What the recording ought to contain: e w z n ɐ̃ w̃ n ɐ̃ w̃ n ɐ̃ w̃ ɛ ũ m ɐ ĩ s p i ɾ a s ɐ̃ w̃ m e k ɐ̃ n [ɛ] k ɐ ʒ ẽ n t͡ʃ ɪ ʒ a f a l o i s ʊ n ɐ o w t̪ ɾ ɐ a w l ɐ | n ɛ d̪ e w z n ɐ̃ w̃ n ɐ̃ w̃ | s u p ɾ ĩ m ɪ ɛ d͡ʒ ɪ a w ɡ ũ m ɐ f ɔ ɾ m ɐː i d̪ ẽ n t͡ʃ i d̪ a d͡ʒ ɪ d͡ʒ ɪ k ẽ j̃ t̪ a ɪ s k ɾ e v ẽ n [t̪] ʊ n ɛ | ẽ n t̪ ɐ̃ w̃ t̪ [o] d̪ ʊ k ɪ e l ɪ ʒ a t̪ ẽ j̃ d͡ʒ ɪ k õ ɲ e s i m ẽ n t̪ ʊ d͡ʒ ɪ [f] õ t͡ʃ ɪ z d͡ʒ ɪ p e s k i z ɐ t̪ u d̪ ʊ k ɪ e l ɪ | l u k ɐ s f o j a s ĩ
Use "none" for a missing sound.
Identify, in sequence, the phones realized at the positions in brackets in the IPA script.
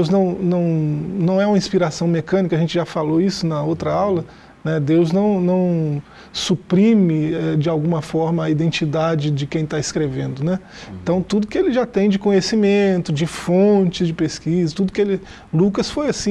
i, d̪, u, f

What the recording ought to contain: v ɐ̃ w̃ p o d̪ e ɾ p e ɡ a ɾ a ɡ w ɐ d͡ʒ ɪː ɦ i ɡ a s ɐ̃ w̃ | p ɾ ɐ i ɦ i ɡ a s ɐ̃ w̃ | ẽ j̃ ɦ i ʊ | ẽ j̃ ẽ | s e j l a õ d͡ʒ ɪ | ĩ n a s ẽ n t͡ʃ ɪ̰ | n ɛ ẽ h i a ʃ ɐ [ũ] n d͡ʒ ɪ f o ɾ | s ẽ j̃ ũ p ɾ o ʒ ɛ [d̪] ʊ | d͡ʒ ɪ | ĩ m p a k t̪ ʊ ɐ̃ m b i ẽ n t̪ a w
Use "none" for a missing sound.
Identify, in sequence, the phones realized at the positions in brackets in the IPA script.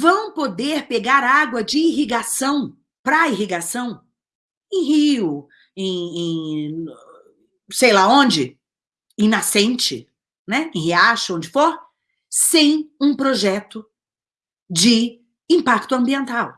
õ, t̪

